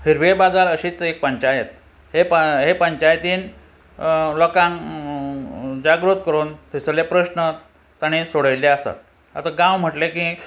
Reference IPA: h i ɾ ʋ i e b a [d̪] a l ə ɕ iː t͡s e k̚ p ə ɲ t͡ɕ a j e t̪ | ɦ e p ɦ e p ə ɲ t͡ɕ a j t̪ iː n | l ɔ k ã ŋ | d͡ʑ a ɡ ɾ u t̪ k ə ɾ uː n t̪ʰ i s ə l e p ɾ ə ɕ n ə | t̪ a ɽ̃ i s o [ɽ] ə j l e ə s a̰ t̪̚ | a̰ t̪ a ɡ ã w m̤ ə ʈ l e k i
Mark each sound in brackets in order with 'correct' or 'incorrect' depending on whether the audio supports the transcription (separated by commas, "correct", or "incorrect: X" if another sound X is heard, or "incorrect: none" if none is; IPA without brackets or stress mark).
correct, correct